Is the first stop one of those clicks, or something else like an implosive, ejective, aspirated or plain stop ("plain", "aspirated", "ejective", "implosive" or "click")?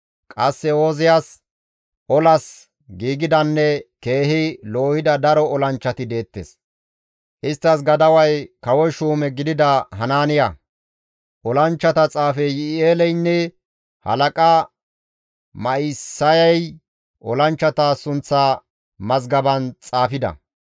ejective